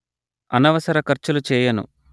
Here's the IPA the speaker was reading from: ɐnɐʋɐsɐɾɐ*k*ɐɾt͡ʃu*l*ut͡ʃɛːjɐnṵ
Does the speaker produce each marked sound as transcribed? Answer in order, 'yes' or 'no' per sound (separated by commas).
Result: yes, yes